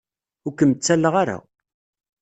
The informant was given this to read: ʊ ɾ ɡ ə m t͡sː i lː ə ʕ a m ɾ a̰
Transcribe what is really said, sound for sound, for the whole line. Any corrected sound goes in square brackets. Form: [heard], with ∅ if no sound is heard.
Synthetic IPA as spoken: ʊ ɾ [k] ə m t͡sː [æ] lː ə [ʁ] a [∅] ɾ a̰

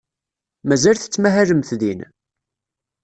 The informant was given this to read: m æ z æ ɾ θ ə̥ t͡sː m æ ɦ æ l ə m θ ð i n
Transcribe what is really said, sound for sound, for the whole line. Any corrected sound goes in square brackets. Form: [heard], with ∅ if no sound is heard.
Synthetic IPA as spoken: m æ z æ [l] θ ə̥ t͡sː m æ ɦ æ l ə m θ ð i n

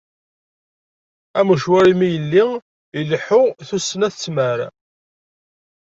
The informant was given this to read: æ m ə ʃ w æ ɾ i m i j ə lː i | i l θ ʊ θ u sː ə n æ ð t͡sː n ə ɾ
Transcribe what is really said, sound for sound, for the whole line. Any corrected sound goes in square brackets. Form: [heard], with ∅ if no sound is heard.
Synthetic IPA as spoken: æ m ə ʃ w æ ɾ i m i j ə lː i | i l [ħ] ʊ θ u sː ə n æ [θ] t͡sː [m] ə ɾ

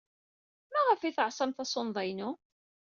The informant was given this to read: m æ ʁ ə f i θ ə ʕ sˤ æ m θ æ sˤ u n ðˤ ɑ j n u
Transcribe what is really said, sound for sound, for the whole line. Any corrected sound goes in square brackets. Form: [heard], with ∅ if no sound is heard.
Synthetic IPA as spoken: m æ ʁ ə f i θ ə ʕ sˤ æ m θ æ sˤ [o] n ðˤ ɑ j n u

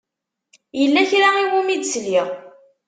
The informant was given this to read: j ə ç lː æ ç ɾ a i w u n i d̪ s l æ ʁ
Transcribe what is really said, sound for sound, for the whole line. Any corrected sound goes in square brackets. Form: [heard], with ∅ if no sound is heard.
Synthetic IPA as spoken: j ə [∅] lː æ ç ɾ a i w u [m] i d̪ s l [i] ʁ

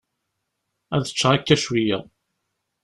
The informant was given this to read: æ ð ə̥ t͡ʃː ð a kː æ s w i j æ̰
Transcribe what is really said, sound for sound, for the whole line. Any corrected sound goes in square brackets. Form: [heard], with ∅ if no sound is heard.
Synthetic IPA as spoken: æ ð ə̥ t͡ʃː [ʁ] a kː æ [ʃ] w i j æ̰

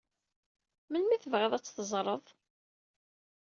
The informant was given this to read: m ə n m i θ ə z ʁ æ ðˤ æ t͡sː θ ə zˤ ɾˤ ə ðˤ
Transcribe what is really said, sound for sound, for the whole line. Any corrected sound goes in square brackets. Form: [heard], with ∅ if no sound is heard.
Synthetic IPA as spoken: m ə n m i θ ə [v] ʁ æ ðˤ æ t͡sː θ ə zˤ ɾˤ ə ðˤ

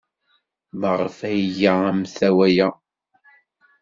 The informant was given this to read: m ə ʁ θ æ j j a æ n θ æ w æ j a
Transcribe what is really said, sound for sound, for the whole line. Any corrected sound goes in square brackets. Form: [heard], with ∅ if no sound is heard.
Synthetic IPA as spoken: m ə ʁ [f] æ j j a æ [m] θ æ w æ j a

